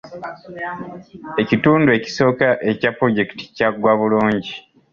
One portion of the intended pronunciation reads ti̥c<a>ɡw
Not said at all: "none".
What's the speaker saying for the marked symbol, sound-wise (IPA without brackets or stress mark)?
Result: a